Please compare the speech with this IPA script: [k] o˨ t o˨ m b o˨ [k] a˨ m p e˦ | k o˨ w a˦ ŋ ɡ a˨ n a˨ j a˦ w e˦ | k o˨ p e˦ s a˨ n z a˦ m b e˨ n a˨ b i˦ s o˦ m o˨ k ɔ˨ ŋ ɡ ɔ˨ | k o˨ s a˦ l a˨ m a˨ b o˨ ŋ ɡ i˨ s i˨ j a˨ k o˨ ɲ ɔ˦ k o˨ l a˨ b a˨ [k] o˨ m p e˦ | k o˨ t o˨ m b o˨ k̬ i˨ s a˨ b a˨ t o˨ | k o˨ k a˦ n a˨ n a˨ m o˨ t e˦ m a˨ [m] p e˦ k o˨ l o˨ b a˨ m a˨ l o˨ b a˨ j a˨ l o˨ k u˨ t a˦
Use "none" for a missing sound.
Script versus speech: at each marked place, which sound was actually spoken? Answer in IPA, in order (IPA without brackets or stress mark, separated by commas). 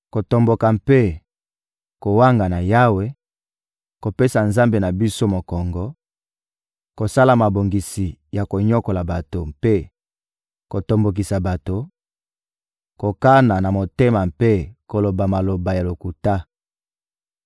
k, k, t, m